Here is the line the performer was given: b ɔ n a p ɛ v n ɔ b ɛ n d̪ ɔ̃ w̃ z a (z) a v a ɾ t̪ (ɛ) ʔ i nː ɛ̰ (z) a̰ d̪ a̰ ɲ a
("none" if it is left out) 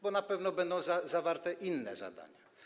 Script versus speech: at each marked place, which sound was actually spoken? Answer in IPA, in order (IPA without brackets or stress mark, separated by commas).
z, ɛ, z